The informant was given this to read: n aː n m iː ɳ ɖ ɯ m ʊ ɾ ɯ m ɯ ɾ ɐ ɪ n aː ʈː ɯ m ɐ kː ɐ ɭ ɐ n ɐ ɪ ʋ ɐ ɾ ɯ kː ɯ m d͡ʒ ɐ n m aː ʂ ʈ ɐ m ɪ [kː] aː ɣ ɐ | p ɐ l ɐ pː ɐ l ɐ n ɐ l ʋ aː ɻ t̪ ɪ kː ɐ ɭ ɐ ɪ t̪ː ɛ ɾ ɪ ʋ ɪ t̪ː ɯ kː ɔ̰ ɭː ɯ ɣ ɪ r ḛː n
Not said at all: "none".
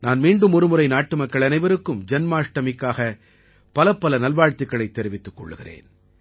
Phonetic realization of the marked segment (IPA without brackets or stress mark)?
kː